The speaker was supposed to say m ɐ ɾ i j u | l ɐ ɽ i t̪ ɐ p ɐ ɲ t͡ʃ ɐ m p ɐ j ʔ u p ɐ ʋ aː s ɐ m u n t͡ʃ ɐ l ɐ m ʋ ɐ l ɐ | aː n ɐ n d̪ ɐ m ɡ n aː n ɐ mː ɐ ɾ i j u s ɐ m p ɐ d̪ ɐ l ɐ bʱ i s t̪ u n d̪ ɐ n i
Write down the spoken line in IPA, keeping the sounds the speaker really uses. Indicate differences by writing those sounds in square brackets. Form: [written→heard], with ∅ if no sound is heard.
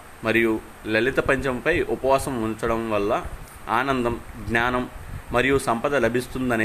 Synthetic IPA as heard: m ɐ ɾ i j u | l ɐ [ɽ→l] i t̪ ɐ p ɐ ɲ t͡ʃ ɐ m p ɐ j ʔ u p ɐ ʋ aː s ɐ m u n t͡ʃ ɐ [l→ɽ] ɐ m ʋ ɐ [l→lː] ɐ | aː n ɐ n d̪ ɐ m ɡ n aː n ɐ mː ɐ ɾ i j u s ɐ m p ɐ d̪ ɐ l ɐ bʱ i s t̪ u n d̪ ɐ n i